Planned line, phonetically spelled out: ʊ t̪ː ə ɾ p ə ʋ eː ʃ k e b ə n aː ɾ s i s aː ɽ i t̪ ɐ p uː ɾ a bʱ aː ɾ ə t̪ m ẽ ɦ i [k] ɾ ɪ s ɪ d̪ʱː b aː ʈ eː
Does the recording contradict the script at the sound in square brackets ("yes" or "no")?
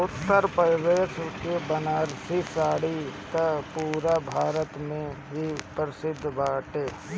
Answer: yes